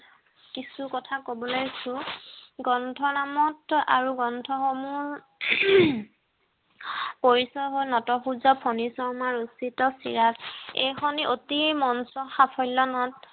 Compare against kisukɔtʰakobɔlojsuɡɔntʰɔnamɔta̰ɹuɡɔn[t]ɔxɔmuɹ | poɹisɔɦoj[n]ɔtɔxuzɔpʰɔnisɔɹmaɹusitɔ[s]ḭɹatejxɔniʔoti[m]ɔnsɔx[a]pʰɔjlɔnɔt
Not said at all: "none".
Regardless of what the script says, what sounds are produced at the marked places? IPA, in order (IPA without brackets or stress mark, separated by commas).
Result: tʰ, n, s, m, a